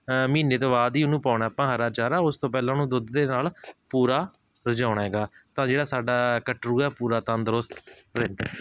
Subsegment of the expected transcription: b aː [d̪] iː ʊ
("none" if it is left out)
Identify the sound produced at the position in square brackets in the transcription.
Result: d̪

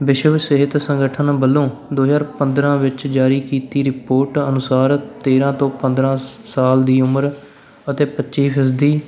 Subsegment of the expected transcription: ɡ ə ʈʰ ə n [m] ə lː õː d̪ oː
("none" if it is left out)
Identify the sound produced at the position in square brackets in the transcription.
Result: b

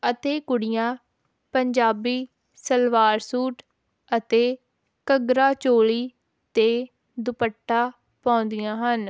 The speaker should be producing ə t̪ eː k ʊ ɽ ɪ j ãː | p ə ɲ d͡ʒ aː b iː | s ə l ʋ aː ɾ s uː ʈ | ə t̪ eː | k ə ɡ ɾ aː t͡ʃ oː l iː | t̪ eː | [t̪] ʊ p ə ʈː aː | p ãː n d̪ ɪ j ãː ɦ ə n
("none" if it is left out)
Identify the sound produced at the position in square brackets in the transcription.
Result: d̪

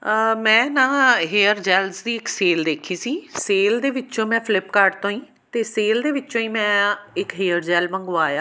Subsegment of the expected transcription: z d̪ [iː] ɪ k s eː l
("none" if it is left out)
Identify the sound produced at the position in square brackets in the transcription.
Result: iː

